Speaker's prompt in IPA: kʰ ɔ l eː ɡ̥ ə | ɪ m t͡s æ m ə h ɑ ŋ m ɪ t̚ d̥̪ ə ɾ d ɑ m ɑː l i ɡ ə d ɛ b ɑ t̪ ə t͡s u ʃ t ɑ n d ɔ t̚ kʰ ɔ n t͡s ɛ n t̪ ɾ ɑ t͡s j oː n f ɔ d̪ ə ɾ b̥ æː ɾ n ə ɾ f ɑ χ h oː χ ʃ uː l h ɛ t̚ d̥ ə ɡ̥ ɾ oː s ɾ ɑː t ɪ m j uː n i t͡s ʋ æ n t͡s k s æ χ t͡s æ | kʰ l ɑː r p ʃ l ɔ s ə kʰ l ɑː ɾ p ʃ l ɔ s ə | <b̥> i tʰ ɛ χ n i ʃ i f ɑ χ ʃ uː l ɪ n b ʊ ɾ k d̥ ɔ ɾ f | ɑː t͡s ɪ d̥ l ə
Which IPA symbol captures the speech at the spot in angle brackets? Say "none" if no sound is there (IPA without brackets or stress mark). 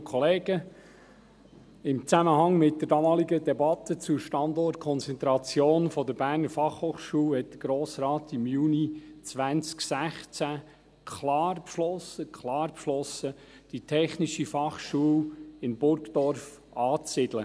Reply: d̥